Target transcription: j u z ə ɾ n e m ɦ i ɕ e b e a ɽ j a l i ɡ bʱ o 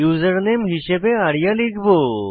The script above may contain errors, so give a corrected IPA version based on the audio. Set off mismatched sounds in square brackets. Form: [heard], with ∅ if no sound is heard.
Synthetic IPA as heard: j u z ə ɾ n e m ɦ i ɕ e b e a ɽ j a l i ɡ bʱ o

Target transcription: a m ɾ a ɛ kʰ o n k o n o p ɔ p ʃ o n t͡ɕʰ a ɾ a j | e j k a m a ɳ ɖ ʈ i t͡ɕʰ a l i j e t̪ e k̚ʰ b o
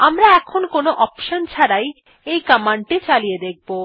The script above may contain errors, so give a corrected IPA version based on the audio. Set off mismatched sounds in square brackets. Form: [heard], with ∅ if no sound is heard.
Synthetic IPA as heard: a m ɾ a ɛ kʰ o n k o n o [ʔ] ɔ p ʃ o n t͡ɕʰ a ɾ a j | e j k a m a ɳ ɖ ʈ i [t͡ɕ] a l i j e [d̪] e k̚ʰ b o

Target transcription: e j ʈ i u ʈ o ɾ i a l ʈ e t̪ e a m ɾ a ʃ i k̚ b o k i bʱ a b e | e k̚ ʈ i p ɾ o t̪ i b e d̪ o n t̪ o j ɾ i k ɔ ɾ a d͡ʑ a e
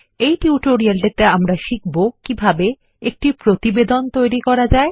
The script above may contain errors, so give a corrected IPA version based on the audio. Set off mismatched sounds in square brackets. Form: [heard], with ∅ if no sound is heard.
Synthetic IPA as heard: e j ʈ i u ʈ o ɾ i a l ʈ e t̪ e a m ɾ a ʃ i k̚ b o k i bʱ a b e | e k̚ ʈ i p ɾ o t̪ i b e d̪ o n t̪ o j ɾ i k ɔ ɾ a d͡ʑ a e

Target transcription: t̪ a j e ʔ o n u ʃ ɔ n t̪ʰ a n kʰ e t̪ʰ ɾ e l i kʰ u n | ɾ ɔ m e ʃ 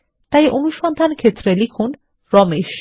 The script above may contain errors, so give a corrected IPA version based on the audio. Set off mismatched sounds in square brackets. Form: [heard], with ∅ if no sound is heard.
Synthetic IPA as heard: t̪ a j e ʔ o n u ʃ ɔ n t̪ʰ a n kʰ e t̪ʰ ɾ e l i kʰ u n | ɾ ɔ m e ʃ

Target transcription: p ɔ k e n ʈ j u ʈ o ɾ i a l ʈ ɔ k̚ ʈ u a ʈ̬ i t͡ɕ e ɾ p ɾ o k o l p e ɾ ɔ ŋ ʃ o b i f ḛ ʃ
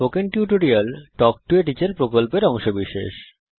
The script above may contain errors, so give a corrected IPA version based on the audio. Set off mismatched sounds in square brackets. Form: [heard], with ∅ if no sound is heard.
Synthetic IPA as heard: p [o] k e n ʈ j u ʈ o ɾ i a l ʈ ɔ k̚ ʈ u [e] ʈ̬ i t͡ɕ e ɾ p ɾ o k o l p e ɾ ɔ ŋ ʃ o b i [ʃ] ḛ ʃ

